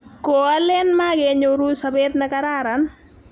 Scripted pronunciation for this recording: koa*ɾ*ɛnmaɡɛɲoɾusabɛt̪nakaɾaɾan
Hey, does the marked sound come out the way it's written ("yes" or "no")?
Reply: no